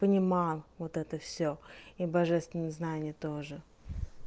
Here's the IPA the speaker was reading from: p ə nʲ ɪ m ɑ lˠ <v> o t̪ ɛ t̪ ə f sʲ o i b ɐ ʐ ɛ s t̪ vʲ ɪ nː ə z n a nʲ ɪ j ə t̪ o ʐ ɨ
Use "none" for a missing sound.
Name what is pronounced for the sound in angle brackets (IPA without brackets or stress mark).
v